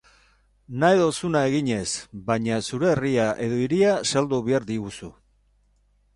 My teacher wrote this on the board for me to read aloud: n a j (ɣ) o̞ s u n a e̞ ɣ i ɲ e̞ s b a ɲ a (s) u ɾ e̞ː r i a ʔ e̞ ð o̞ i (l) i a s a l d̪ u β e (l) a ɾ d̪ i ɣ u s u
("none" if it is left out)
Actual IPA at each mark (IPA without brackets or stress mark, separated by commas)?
ð, s, ɾ, none